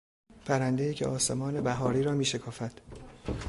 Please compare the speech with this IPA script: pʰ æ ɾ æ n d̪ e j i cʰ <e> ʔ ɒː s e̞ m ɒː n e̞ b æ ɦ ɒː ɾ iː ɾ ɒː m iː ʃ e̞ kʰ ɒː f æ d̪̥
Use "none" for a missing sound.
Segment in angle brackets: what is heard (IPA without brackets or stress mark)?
e